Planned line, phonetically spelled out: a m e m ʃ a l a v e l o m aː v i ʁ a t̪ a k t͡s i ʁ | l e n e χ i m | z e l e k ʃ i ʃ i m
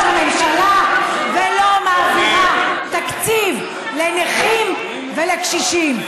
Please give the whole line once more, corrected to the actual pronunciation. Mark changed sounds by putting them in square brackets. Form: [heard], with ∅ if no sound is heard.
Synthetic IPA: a m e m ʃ a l a v e l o m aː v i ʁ a t̪ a k t͡s i [v] | l e n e χ i m | [v] e l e k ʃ i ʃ i m